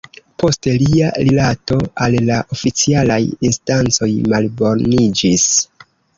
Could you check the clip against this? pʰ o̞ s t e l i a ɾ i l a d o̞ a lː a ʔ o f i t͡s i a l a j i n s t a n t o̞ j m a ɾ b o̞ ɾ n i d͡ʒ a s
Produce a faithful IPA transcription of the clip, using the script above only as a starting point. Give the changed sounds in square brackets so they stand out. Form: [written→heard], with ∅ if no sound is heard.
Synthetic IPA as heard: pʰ o̞ s t e l i a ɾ i l a [d→t] o̞ a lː a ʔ o f i t͡s i a l a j i n s t a n [t→t͡s] o̞ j m a [ɾ→l] b o̞ ɾ n i d͡ʒ [a→i] s